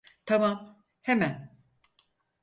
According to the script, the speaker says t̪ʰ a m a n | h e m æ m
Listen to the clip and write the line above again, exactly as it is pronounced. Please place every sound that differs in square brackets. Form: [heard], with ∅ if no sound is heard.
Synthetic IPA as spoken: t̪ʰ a m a [m] | h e m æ [n]